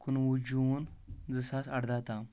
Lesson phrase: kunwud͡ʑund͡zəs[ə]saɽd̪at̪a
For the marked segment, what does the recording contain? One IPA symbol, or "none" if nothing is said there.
a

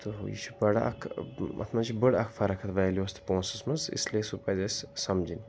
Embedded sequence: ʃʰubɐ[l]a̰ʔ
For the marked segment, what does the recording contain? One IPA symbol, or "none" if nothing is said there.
ɽ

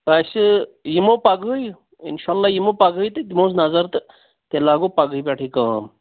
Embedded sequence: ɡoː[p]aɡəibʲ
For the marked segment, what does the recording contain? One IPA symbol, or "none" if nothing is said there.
p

